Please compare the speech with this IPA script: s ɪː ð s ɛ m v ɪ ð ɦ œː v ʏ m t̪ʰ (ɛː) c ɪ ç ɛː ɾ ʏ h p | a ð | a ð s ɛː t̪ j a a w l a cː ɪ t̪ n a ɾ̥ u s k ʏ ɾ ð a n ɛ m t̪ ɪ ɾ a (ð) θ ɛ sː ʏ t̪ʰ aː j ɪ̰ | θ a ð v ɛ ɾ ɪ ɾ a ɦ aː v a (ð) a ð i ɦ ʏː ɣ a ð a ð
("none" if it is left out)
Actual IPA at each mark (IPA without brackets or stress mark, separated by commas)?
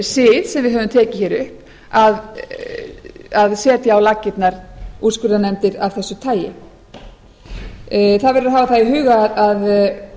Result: ɛː, v, θ